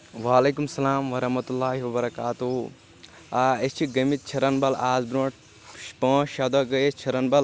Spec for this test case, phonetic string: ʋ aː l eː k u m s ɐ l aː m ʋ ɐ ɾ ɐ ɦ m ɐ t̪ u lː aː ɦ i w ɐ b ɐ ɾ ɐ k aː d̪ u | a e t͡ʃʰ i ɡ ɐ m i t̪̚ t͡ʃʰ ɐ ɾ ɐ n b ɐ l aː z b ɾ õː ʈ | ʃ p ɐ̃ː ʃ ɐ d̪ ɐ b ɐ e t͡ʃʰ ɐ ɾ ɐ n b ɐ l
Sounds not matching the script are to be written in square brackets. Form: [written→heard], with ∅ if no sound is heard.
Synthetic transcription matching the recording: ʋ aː l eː k u m s ɐ l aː m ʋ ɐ ɾ ɐ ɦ m ɐ t̪ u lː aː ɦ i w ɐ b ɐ ɾ ɐ k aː [d̪→t̪] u | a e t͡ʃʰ i ɡ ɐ m i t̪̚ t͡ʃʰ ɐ ɾ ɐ n b ɐ l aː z b ɾ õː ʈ | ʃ p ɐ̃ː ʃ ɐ d̪ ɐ [b→ɡ] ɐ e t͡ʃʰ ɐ ɾ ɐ n b ɐ l